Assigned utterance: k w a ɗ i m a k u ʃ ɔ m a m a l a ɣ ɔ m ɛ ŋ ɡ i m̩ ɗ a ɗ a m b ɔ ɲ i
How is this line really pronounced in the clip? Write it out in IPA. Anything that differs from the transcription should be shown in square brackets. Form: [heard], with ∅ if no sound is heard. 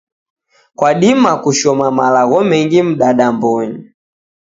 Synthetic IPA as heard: k w a ɗ i m a k u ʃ ɔ m a m a l a ɣ ɔ m ɛ ŋ ɡ i m̩ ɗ a ɗ a m b ɔ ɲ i

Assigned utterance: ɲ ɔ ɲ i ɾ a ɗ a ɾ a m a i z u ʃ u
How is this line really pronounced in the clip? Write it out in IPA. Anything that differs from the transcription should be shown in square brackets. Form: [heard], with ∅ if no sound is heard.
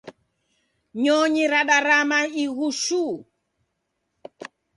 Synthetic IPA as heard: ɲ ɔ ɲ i ɾ a ɗ a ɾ a m a i [ɣ] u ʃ u

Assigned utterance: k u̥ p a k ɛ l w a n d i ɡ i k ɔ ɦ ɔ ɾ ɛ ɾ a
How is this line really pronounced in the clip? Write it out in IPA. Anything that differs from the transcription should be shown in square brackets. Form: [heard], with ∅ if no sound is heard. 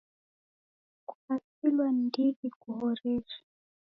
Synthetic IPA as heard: k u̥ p a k [i] l w a n d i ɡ i k [u] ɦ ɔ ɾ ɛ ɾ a

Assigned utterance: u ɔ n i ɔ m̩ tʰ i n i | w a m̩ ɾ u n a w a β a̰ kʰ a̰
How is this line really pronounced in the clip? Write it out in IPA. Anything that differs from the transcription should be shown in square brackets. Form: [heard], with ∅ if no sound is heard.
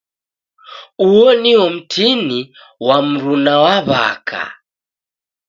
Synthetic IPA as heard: u ɔ n i ɔ m̩ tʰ i n i | w a m̩ ɾ u n a w a β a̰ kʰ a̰

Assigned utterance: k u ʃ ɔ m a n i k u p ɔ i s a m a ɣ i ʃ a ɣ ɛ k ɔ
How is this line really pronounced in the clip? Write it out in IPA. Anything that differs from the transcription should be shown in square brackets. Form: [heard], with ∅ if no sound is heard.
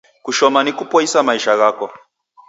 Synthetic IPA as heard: k u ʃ ɔ m a n i k u p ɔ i s a m a [∅] i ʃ a ɣ [a] k ɔ

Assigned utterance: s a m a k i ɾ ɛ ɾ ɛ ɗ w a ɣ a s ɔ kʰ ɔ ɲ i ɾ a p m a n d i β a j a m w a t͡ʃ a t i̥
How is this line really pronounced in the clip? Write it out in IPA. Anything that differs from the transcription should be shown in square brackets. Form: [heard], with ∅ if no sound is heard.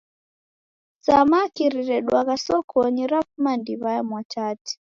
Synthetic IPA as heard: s a m a k i ɾ [i] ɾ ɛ ɗ w a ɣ a s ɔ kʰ ɔ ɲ i ɾ a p m a n d i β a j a m w a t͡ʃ a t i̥

